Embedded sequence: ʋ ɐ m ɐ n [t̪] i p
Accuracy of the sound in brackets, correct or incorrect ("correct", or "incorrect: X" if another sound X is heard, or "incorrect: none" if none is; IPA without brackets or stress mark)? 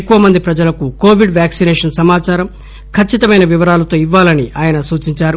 incorrect: d̪